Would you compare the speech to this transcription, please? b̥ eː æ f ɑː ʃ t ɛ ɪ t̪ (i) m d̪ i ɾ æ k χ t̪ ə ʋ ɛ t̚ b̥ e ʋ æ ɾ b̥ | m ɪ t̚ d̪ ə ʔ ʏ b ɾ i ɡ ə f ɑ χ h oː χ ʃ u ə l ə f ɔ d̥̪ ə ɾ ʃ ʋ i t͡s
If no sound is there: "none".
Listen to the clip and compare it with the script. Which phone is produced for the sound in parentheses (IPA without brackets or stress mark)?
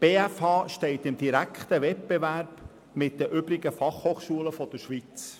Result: ɪ